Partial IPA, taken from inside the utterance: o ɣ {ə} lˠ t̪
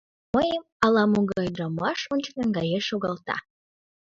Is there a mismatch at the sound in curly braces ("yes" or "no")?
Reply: yes